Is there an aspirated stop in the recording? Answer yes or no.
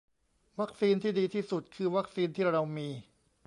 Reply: yes